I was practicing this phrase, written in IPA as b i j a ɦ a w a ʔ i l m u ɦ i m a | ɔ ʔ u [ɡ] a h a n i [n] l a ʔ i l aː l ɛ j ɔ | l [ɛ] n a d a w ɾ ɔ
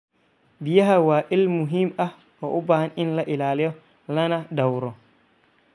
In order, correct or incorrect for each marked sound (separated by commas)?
incorrect, correct, incorrect